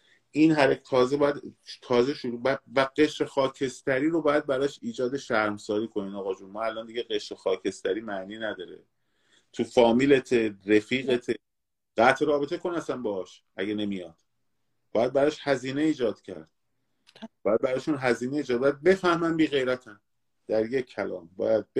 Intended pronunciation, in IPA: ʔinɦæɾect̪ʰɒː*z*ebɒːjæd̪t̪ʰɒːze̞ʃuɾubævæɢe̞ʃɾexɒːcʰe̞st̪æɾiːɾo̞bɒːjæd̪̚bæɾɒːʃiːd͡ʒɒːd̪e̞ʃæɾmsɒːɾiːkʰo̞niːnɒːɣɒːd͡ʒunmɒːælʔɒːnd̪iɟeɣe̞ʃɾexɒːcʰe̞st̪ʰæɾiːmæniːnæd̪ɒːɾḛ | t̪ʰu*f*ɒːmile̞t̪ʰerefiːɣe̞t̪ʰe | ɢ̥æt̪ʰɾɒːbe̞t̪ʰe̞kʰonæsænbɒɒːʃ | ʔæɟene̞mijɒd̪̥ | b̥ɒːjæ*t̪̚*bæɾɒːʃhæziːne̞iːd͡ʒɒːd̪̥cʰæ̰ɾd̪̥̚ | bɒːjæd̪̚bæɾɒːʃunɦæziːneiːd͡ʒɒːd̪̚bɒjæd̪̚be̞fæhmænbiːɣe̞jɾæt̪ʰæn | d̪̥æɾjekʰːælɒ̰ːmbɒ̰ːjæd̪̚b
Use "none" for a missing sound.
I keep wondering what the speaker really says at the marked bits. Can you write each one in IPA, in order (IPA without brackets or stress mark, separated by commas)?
z, f, d̪̚